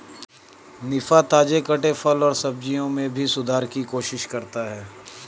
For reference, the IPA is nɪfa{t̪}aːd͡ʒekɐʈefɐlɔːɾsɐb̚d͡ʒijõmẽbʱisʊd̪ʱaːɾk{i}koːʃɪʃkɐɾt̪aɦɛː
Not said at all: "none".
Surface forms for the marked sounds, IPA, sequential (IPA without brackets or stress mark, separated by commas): t̪, i